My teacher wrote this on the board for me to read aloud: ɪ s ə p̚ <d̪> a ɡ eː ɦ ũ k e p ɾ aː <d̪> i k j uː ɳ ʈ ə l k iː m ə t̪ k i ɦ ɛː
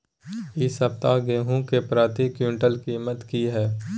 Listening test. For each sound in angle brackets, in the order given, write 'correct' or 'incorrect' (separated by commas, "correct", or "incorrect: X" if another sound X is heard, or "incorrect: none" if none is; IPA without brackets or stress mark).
incorrect: t̪, incorrect: t̪